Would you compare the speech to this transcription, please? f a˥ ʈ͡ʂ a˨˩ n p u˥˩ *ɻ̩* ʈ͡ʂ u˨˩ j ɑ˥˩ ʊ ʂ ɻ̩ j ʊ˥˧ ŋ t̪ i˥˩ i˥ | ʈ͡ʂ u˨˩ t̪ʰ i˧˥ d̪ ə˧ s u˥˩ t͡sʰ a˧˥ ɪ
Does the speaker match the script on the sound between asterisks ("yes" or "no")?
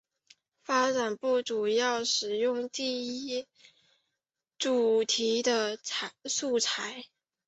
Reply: no